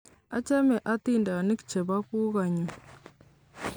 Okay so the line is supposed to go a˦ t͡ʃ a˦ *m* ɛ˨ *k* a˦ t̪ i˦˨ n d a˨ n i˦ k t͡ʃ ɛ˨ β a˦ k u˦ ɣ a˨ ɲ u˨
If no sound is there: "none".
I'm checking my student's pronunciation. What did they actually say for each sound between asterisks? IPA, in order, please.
m, ʔ

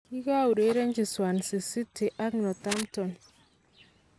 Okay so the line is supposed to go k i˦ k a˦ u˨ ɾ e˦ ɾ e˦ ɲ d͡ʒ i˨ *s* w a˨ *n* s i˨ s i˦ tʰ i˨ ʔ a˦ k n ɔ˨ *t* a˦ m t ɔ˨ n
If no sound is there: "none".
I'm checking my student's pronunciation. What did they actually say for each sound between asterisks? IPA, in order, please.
s, n, t

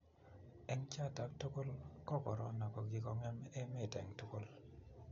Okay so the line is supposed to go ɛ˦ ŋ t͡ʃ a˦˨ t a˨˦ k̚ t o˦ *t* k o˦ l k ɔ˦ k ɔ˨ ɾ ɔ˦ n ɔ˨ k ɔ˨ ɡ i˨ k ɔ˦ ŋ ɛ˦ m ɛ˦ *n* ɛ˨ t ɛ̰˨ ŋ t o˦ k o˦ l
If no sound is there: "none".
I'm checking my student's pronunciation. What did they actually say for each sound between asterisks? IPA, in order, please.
none, m

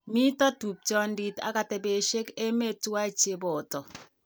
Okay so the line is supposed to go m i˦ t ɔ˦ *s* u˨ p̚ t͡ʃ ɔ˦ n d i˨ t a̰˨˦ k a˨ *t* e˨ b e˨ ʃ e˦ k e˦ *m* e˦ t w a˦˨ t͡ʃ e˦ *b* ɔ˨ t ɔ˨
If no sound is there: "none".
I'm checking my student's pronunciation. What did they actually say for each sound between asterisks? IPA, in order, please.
t, t, m, b

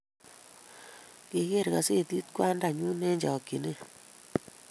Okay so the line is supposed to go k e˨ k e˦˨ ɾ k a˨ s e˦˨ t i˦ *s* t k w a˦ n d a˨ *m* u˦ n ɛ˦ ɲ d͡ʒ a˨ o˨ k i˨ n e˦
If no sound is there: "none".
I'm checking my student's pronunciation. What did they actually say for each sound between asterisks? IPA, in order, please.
none, ɲ

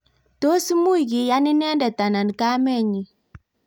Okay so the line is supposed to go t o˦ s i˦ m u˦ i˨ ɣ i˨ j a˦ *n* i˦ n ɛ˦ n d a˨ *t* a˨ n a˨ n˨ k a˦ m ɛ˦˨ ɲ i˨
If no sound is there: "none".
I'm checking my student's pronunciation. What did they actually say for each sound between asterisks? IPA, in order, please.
n, t

